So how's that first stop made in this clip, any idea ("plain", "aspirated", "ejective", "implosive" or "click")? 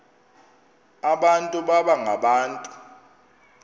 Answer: implosive